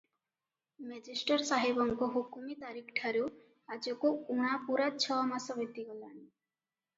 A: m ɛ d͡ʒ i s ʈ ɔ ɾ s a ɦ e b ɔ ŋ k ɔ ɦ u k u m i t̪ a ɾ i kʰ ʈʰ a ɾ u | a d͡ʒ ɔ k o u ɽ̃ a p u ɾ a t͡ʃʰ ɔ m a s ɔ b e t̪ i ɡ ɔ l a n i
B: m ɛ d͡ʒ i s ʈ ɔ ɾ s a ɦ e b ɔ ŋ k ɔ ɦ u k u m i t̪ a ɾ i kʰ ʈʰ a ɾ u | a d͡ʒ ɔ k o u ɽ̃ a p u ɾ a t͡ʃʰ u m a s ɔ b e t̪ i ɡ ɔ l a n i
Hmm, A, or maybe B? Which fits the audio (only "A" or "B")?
A